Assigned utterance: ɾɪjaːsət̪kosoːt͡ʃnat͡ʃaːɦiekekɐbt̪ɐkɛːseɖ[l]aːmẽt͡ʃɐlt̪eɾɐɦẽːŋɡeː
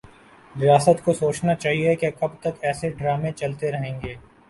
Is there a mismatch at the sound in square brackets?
yes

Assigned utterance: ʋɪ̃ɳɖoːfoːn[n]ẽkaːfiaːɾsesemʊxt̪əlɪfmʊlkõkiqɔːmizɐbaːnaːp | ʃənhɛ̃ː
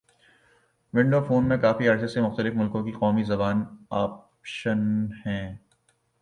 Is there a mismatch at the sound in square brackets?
yes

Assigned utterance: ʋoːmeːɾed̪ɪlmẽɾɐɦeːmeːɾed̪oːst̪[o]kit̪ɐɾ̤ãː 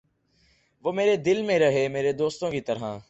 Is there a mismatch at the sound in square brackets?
yes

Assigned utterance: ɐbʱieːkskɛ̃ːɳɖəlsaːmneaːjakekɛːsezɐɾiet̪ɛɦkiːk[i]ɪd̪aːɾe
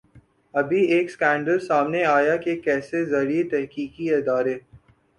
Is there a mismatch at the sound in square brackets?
no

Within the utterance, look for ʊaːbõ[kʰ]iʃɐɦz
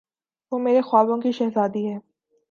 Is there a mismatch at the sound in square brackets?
yes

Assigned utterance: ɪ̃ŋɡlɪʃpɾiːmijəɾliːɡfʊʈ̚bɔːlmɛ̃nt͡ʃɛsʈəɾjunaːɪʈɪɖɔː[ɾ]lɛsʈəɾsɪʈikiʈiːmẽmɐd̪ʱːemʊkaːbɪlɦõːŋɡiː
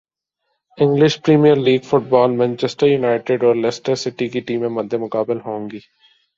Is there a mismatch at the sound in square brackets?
no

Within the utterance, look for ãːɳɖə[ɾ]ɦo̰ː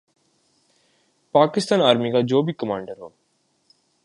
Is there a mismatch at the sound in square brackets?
no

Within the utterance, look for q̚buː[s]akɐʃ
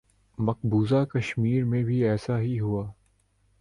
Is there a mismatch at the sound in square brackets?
yes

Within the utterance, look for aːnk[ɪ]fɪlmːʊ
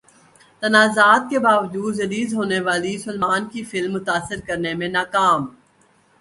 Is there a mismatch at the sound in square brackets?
yes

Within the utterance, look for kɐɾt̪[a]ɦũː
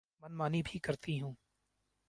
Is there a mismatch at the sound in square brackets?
yes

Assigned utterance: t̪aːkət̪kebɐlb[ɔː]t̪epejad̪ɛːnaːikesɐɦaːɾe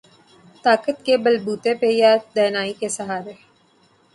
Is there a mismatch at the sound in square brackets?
yes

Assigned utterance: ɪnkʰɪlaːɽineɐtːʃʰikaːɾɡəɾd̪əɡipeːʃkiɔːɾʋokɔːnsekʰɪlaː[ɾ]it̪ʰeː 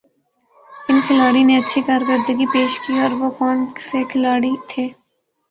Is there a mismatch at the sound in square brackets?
yes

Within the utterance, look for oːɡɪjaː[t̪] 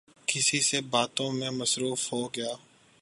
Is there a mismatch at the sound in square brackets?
yes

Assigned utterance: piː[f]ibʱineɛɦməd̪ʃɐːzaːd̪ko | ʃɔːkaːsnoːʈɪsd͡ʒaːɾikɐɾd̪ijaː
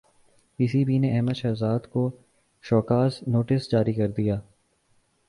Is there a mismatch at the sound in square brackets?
yes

